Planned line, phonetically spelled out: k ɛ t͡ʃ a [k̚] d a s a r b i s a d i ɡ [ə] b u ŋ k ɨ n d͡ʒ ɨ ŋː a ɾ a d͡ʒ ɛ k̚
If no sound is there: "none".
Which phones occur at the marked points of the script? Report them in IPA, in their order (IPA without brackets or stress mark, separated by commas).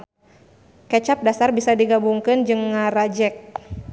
p̚, a